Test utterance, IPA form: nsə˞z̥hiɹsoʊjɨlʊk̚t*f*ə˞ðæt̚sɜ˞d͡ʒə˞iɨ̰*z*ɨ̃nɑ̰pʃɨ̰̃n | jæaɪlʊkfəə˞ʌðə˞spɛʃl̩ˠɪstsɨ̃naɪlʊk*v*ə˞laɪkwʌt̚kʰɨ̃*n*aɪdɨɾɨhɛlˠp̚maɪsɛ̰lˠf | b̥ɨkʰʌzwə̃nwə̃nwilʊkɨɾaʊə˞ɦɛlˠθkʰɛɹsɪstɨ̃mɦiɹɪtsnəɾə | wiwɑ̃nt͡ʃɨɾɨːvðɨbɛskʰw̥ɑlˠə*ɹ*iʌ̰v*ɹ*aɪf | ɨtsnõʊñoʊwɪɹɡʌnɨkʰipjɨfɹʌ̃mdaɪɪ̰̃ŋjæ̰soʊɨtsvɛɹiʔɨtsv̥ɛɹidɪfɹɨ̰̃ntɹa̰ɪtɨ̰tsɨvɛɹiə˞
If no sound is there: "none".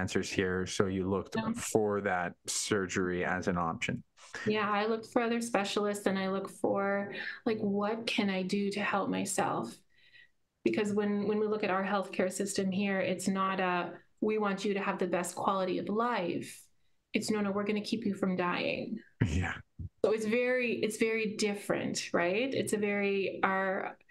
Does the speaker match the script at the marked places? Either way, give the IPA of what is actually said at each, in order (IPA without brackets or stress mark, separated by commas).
f, z, f, n, ɾ, l